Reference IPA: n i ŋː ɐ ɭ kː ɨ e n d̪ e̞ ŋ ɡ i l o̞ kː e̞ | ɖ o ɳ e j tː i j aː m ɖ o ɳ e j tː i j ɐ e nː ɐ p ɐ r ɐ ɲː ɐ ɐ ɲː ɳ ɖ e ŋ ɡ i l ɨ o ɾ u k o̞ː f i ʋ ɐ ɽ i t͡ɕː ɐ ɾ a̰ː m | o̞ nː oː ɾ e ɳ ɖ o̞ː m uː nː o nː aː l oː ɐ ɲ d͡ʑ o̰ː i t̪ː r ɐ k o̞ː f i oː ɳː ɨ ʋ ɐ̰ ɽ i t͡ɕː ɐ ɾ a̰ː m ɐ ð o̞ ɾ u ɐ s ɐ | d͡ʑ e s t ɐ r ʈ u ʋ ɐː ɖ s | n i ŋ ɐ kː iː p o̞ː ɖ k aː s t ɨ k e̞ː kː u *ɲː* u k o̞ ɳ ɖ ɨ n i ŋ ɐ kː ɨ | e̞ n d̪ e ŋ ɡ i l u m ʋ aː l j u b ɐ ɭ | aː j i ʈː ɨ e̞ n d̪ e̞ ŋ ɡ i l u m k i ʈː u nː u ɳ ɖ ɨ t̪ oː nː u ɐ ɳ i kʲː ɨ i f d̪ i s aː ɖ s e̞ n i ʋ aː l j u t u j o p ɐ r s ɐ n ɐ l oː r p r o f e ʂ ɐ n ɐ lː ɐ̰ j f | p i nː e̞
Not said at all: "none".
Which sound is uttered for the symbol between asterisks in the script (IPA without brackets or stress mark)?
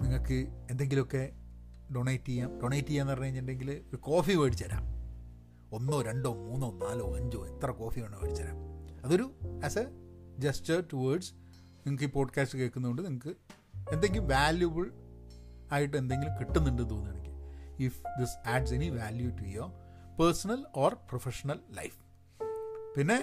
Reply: nː